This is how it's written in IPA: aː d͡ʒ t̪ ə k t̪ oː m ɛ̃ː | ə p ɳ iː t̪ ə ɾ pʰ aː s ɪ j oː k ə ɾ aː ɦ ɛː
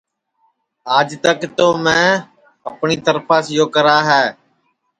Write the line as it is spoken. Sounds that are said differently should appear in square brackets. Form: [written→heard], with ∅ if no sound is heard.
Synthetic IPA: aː d͡ʒ t̪ ə k t̪ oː m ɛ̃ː | ə p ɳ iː t̪ ə ɾ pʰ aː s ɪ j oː k ə ɾ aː ɦ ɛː